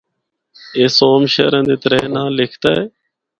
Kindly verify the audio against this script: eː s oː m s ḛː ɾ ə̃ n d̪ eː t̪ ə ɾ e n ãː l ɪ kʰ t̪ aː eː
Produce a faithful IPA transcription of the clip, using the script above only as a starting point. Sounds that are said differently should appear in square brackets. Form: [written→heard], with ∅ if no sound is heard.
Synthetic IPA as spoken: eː s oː m [s→ʃ] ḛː ɾ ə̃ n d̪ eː t̪ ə ɾ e n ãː l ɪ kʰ t̪ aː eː